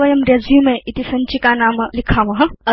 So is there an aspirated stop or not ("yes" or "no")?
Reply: yes